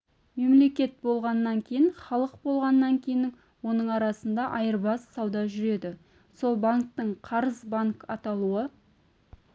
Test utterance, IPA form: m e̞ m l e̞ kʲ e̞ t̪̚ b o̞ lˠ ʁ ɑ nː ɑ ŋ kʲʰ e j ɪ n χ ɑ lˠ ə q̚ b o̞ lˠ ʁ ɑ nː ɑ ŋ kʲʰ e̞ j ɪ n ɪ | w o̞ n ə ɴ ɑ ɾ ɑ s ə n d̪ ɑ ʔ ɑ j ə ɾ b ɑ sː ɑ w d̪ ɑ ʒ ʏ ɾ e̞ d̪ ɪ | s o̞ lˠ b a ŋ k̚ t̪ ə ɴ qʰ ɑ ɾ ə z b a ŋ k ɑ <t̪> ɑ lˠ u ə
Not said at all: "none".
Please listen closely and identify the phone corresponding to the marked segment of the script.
t̪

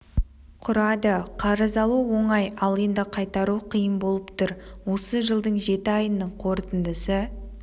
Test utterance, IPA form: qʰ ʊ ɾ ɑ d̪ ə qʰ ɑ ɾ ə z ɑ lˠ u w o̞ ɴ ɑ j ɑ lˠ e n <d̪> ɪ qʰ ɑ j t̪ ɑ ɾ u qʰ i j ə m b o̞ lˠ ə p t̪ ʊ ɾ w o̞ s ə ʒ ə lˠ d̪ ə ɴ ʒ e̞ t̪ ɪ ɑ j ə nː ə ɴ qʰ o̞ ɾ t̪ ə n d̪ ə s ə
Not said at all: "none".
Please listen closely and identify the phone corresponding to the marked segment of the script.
d̪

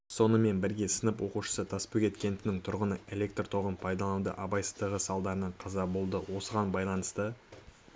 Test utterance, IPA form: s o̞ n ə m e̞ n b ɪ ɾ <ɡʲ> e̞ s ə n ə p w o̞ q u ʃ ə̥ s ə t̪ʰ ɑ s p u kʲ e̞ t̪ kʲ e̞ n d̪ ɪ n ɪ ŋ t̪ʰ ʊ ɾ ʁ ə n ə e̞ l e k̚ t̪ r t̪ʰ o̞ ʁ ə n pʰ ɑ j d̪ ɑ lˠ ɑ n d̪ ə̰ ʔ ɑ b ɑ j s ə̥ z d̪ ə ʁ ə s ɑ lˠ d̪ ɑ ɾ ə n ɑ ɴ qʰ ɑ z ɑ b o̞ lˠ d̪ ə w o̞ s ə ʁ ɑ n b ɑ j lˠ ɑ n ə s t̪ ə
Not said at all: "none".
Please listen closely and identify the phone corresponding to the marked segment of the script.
ɡʲ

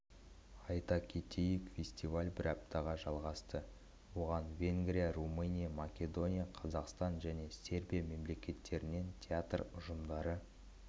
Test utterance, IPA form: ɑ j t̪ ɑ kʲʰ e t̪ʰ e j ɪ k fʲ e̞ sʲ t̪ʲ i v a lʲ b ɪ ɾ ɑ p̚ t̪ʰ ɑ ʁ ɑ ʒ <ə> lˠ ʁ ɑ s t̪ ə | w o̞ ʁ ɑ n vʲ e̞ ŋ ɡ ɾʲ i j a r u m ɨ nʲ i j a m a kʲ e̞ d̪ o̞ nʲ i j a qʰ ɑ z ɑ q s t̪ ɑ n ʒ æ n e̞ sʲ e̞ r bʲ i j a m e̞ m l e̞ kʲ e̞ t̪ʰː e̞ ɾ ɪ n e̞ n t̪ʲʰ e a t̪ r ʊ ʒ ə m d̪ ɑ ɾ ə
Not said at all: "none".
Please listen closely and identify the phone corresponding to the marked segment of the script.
ɑ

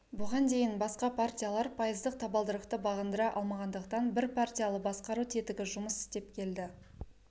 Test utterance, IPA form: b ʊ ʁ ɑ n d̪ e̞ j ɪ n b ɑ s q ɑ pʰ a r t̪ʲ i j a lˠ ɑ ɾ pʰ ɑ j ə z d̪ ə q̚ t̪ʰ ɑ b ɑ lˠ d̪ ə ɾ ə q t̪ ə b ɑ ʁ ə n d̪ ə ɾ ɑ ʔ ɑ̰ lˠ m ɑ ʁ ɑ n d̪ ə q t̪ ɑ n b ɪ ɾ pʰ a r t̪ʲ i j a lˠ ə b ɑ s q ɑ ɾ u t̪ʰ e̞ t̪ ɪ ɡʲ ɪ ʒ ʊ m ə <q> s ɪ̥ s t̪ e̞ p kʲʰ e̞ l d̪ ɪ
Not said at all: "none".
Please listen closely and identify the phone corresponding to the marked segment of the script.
none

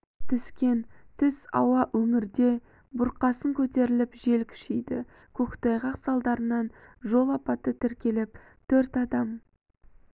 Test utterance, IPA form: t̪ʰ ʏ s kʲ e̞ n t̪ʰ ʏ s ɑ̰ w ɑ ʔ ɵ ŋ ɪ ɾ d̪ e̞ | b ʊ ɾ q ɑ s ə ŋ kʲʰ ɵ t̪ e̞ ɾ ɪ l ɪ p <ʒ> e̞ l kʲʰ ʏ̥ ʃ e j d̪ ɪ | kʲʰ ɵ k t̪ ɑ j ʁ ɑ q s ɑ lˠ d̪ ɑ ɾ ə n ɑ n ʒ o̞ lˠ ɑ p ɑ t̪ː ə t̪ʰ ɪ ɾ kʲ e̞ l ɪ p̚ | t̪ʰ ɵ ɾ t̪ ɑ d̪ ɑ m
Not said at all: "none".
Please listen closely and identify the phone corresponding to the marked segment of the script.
ʒ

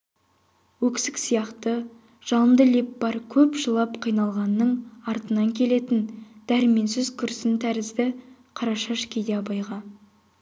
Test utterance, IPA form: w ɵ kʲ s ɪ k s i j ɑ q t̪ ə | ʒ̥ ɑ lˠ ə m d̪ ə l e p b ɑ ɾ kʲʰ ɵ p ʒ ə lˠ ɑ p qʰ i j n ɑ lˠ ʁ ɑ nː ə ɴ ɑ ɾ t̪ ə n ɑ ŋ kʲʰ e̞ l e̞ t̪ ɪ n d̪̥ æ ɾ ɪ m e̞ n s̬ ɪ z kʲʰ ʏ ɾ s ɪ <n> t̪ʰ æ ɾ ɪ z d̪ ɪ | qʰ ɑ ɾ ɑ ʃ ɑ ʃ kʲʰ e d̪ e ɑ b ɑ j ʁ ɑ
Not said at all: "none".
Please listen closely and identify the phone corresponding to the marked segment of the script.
n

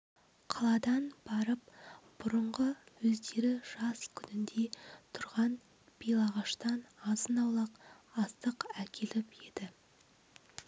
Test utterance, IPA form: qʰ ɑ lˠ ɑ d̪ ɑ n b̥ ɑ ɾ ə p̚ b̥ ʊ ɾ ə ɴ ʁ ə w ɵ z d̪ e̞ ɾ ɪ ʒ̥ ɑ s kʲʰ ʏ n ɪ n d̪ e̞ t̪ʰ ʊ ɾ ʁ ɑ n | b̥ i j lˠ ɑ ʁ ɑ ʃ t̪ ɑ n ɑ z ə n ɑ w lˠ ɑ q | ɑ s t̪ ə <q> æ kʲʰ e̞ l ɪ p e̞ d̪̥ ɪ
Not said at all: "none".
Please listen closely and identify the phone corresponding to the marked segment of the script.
q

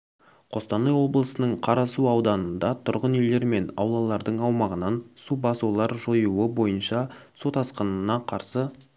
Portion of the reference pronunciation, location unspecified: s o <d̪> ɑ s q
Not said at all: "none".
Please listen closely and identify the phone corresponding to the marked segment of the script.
t̪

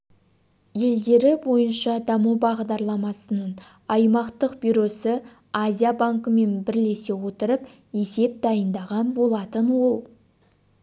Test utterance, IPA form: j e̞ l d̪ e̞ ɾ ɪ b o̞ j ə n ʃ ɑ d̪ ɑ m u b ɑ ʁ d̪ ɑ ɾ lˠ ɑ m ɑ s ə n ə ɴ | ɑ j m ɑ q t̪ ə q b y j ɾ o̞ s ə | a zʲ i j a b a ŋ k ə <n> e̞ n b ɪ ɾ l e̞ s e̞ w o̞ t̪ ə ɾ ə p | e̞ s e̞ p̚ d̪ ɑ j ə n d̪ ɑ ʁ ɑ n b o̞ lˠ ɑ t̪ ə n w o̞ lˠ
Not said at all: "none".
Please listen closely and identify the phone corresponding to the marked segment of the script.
m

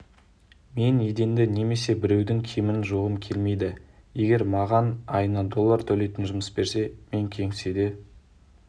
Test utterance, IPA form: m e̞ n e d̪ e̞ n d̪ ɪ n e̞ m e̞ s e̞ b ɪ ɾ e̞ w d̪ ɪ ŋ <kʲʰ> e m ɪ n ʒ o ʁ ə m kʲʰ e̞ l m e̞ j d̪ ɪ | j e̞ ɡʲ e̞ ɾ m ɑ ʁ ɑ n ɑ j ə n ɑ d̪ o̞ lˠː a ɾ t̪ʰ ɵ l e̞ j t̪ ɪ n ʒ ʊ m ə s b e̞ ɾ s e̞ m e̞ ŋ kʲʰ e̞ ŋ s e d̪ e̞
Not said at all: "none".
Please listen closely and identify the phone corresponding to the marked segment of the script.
kʲʰ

